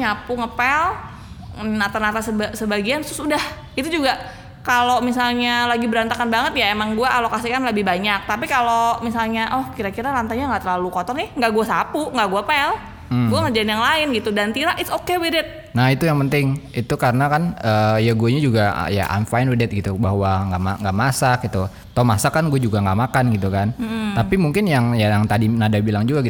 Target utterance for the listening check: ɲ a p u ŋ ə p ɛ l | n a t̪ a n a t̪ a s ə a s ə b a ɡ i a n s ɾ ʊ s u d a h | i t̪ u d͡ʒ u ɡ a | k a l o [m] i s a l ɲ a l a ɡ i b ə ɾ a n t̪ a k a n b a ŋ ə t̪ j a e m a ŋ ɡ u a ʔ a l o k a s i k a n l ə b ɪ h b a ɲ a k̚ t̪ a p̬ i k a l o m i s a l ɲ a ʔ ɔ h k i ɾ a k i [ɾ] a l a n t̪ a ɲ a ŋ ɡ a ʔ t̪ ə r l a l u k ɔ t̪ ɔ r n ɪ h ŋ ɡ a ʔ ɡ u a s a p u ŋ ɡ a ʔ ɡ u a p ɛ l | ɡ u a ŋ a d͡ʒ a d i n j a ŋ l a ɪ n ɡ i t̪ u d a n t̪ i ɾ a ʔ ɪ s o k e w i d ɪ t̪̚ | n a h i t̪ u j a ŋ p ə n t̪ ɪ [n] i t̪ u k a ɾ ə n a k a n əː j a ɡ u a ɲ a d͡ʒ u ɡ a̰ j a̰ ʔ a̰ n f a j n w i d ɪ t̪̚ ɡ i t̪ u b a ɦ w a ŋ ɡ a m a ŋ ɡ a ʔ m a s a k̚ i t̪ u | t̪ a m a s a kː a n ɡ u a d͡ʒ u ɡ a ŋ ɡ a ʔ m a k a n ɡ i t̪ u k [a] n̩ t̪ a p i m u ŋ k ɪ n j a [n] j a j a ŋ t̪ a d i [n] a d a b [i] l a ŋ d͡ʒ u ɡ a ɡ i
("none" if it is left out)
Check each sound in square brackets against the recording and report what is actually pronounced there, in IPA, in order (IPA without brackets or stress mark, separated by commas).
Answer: m, ɾ, ŋ, a, ŋ, n, i